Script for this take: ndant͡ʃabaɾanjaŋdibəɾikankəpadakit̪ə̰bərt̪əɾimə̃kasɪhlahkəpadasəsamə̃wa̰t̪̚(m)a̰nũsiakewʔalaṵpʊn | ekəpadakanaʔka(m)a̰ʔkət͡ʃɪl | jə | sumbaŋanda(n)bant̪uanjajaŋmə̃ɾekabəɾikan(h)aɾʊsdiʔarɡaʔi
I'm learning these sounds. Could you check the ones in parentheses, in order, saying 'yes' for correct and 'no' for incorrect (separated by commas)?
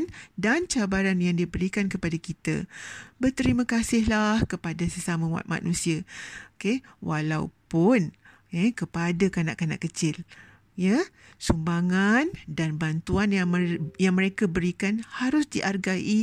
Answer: yes, no, yes, yes